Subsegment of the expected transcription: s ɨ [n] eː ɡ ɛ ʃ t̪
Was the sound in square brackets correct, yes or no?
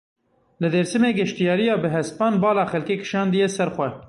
no